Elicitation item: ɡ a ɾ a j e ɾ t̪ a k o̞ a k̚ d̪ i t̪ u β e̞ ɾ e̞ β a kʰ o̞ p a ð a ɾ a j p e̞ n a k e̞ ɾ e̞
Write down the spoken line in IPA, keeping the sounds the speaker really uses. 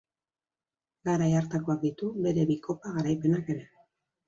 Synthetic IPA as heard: ɡ a ɾ a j a ɾ t̪ a k o̞ a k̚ d̪ i t̪ u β e̞ ɾ e̞ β i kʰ o̞ p a ɣ a ɾ a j p e̞ n a k e̞ ɾ e̞